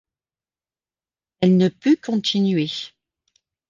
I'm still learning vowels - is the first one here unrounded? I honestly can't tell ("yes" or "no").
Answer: yes